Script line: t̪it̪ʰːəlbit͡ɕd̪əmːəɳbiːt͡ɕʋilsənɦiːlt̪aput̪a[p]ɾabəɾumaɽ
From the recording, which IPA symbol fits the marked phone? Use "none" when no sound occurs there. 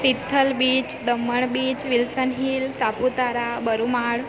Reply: none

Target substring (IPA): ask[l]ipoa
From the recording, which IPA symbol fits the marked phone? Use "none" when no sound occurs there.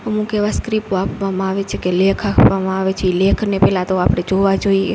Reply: ɾ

